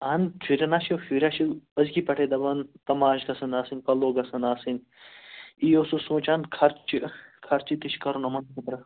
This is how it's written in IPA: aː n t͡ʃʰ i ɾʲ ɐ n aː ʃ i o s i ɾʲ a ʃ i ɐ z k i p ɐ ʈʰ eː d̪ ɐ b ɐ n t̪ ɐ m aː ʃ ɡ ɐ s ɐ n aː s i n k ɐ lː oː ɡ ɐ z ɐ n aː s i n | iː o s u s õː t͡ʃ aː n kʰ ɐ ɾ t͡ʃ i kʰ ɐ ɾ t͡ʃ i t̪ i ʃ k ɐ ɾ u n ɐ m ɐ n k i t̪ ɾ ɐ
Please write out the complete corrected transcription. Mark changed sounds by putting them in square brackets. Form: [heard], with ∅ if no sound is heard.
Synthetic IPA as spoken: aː n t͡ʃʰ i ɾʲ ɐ n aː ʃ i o [f] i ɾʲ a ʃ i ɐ z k i p ɐ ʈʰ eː d̪ ɐ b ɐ n t̪ ɐ m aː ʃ ɡ ɐ s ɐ n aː s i n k ɐ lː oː ɡ ɐ [s] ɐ n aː s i n | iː o s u s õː t͡ʃ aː n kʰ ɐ ɾ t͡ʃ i kʰ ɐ ɾ t͡ʃ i t̪ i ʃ k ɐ ɾ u n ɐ m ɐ n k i t̪ ɾ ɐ